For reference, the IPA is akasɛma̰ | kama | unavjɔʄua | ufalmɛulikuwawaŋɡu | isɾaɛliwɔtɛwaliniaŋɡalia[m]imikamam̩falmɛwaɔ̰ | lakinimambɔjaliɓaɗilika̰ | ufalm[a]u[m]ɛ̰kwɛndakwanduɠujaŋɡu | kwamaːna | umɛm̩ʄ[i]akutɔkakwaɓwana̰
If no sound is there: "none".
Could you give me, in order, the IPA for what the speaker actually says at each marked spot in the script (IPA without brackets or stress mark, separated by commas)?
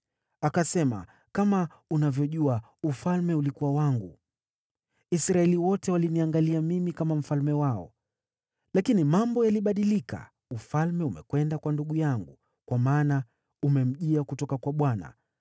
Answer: m, ɛ, m, i